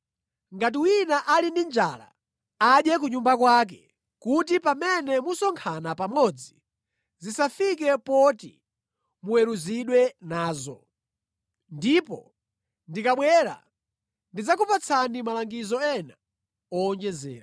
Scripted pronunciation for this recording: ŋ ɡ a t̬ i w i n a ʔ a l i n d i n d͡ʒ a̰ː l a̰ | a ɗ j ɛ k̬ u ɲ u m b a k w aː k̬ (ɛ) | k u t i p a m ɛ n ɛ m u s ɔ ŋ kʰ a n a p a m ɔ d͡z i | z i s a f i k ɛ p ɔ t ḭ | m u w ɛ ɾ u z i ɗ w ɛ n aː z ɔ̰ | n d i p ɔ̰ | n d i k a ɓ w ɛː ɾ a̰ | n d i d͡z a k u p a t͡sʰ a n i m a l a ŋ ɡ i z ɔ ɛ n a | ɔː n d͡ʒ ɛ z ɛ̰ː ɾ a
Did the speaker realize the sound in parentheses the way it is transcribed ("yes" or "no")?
yes